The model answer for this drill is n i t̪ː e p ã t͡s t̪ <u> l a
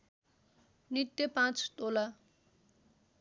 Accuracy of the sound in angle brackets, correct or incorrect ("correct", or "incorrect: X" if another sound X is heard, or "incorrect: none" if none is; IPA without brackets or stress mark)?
incorrect: o